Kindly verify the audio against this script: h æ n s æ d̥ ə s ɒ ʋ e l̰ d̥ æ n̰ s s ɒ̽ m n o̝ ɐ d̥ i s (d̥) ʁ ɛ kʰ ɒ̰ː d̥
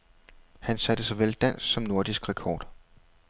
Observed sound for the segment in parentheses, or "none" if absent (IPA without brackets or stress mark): ɡ̥